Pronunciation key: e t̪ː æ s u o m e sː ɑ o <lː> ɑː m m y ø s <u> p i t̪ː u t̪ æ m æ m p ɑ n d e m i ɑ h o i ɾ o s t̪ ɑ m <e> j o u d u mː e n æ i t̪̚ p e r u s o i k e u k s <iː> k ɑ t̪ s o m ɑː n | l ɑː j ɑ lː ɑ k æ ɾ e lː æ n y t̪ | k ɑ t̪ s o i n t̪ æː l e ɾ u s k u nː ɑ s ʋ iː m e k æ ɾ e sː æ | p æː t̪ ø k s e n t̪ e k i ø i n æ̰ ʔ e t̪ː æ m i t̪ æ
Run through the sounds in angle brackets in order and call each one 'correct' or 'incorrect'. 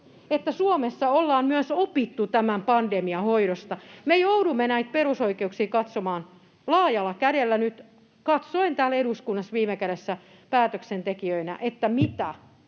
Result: correct, incorrect: o, correct, correct

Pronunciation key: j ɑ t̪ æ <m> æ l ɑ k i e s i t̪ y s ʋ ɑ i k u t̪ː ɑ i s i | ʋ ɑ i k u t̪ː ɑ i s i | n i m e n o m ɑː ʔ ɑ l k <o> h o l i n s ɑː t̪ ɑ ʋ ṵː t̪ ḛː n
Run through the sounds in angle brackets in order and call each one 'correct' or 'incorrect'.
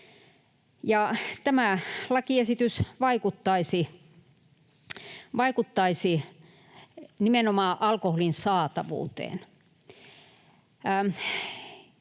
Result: correct, correct

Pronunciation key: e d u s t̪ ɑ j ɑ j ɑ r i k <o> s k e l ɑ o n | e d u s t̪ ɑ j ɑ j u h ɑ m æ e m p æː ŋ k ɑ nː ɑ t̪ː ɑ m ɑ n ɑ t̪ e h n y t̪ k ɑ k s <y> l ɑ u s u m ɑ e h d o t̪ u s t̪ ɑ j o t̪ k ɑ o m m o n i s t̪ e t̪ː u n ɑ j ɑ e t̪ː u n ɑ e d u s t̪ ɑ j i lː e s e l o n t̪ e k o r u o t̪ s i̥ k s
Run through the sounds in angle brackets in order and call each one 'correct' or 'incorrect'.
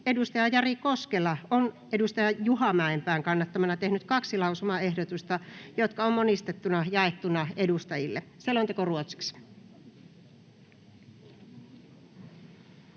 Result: correct, incorrect: i

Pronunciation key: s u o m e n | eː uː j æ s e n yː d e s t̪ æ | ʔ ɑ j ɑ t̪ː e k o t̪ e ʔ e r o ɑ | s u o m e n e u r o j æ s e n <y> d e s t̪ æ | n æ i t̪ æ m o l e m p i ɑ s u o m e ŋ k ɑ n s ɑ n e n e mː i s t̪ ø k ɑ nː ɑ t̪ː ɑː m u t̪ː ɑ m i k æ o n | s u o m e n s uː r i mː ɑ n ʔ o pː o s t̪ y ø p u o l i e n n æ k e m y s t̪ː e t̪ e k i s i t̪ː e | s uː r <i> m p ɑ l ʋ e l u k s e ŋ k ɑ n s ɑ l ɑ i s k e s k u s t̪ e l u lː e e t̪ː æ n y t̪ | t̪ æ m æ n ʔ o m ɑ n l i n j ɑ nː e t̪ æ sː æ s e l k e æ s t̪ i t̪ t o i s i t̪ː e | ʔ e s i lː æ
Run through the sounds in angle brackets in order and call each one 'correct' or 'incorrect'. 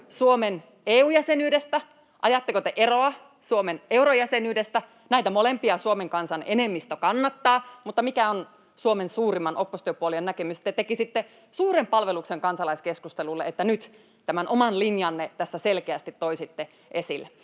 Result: incorrect: yː, incorrect: e

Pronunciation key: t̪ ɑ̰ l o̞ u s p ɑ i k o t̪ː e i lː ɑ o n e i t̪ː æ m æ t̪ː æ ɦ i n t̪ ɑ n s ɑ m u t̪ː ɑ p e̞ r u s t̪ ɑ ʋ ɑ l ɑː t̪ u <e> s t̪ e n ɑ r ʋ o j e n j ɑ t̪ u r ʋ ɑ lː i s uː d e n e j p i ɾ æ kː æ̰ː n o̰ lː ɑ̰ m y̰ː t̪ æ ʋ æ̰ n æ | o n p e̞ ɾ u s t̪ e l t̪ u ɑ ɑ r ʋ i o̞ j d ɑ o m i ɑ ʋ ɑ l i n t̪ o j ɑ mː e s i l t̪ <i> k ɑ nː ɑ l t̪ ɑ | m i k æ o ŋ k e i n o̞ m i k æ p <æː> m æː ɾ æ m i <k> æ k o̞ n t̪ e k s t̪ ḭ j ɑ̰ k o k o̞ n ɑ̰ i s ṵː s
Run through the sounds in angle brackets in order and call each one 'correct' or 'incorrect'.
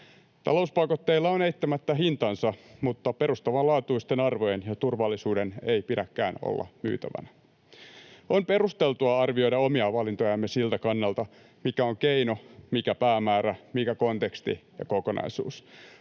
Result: incorrect: i, incorrect: æ, correct, correct

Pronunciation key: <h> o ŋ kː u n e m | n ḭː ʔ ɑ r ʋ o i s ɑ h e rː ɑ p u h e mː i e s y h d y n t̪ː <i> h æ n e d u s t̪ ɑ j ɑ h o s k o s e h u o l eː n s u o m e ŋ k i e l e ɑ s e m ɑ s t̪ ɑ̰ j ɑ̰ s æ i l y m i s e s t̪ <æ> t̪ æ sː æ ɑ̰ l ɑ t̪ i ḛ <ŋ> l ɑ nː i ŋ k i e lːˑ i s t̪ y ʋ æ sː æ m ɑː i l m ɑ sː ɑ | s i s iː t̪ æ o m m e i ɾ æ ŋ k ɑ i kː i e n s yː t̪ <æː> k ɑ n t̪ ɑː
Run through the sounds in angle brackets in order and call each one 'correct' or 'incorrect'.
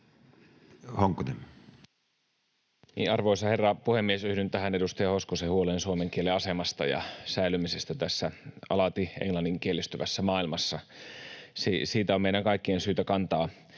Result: correct, incorrect: æ, correct, correct, incorrect: æ

